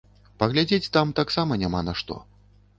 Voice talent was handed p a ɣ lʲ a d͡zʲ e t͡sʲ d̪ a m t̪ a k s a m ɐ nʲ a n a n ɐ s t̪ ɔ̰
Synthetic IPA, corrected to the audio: p ɐ ɣ lʲ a d͡zʲ e t͡sʲ t̪ a m t̪ a k s a m ɐ nʲ a m a n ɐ ʂ t̪ ɔ̰